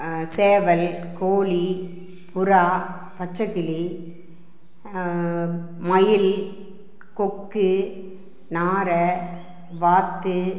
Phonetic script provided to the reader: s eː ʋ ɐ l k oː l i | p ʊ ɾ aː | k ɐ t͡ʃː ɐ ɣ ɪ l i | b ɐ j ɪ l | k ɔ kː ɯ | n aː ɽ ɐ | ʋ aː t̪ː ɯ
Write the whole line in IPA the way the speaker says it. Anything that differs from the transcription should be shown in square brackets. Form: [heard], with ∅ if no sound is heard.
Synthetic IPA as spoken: s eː ʋ ɐ l k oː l i | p ʊ ɾ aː | [p] ɐ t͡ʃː ɐ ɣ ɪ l i | [m] ɐ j ɪ l | k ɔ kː ɯ | n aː [ɾ] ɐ | ʋ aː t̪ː ɯ